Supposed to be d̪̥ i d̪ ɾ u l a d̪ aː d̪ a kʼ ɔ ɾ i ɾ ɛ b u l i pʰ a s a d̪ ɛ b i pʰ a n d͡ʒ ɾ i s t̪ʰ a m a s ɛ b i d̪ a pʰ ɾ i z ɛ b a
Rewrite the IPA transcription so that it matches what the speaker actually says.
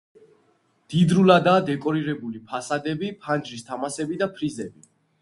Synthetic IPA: d̪̥ i d̪ ɾ u l a d̪ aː d̪ ɛ kʼ ɔ ɾ i ɾ ɛ b u l i pʰ a s a d̪ ɛ b i pʰ a n d͡ʒ ɾ i s t̪ʰ a m a s ɛ b i d̪ a pʰ ɾ i z ɛ b i

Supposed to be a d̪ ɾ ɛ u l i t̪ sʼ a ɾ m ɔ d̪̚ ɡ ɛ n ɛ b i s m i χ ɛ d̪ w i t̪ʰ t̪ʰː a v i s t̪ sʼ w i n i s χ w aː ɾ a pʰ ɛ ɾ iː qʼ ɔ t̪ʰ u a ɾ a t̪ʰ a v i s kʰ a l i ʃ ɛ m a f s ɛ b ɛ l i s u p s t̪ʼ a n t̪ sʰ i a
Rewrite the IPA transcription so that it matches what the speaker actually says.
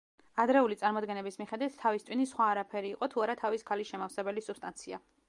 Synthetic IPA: a d̪ ɾ ɛ u l i t̪ sʼ a ɾ m ɔ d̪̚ ɡ ɛ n ɛ b i s m i χ ɛ d̪ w i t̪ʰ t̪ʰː a v i s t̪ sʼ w i n i s χ w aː ɾ a pʰ ɛ ɾ iː qʼ ɔ t̪ʰ u a ɾ a t̪ʰ a v i s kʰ a l i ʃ ɛ m a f s ɛ b ɛ l i s u p s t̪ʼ a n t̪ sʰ i a

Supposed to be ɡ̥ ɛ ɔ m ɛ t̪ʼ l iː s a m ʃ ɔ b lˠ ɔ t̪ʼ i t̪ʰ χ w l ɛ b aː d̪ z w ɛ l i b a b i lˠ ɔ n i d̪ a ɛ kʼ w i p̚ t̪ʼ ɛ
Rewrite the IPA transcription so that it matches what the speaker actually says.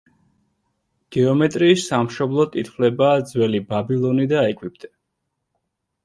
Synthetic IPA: ɡ̥ ɛ ɔ m ɛ t̪ʼ ɾ iː s a m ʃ ɔ b lˠ ɔ t̪ʼ i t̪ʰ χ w l ɛ b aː d̪ z w ɛ l i b a b i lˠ ɔ n i d̪ a ɛ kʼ w i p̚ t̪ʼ ɛ

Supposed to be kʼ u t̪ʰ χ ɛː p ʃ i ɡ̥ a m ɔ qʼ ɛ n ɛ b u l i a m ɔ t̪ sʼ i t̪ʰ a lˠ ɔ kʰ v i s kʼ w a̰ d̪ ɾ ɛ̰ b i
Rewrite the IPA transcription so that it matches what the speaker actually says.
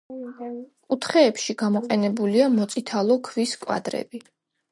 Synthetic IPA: kʼ u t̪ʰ χ ɛː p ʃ i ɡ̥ a m ɔ qʼ ɛ n ɛ b u l i a m ɔ t̪ sʼ i t̪ʰ a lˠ ɔ kʰ v i s kʼ w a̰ d̪ ɾ ɛ̰ b i

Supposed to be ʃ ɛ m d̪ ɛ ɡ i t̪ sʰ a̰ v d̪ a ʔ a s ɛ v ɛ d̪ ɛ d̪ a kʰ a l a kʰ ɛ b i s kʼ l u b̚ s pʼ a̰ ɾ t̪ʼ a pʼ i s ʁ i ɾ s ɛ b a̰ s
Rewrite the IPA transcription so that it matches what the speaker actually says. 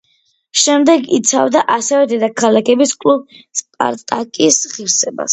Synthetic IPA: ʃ ɛ m d̪ ɛ ɡ i t̪ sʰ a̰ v d̪ a ʔ a s ɛ v ɛ d̪ ɛ d̪ a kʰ a l a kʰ ɛ b i s kʼ l u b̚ s pʼ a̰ ɾ t̪ʼ a kʼ i s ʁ i ɾ s ɛ b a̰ s

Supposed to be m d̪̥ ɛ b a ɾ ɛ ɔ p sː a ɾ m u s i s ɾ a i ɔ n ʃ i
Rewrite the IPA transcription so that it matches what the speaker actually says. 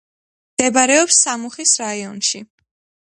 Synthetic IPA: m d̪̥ ɛ b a ɾ ɛ ɔ p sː a m u χ i s ɾ a i ɔ n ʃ i

